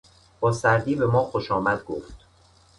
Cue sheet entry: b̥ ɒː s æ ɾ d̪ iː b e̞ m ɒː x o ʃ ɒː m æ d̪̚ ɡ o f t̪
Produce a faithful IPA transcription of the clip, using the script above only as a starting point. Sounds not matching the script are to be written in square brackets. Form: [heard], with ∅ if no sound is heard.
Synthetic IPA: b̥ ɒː s æ ɾ d̪ iː b e̞ m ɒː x o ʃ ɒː m æ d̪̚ ɡ o f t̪